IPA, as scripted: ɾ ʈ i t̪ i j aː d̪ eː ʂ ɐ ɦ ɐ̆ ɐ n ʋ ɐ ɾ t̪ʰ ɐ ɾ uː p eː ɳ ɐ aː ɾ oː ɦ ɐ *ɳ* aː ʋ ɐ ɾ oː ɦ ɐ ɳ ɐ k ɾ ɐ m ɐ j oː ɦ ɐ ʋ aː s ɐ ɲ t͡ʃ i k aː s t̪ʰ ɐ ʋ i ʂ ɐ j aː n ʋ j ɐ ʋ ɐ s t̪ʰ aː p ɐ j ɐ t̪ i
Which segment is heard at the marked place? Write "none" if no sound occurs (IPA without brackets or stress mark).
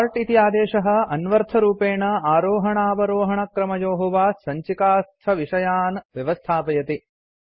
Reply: ɳ